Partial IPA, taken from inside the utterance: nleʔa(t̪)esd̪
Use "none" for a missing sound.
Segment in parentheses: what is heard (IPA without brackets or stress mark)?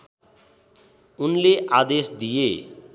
d̪